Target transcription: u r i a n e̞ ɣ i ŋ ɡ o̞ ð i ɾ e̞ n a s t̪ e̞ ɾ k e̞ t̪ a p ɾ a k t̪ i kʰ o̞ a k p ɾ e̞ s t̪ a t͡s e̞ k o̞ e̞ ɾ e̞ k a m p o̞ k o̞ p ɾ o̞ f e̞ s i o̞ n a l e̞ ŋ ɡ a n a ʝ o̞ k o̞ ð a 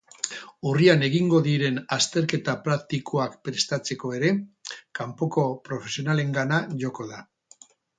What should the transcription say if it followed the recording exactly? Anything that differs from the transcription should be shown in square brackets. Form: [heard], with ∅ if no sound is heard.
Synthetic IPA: u r i a n e̞ ɣ i ŋ ɡ o̞ ð i ɾ e̞ n a s t̪ e̞ ɾ k e̞ t̪ a p ɾ a k t̪ i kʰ o̞ a k p ɾ e̞ s t̪ a t͡s e̞ k o̞ e̞ ɾ e̞ k a m p o̞ k o̞ p ɾ o̞ f e̞ s i o̞ n a l e̞ ŋ ɡ a n a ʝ o̞ k o̞ ð a